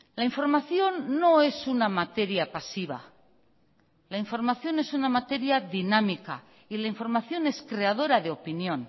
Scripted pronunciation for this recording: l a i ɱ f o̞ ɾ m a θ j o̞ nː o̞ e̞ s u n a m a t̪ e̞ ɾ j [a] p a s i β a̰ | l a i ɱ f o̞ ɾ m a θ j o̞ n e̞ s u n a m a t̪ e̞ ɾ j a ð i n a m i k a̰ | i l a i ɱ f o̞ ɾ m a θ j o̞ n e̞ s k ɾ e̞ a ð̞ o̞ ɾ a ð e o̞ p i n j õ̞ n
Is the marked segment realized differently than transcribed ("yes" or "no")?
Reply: no